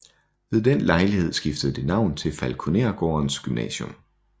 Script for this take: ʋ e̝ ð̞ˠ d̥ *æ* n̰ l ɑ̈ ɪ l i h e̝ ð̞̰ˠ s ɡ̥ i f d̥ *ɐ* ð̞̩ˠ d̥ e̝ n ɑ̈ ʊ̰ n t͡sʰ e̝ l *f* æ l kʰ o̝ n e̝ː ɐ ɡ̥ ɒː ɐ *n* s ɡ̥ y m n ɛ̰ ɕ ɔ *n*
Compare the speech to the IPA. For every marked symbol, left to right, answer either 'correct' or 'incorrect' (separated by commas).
incorrect, incorrect, correct, correct, incorrect